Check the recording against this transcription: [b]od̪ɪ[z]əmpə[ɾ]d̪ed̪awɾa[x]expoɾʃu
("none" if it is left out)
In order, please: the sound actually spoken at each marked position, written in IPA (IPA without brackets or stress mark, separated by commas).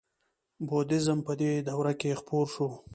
b, z, none, k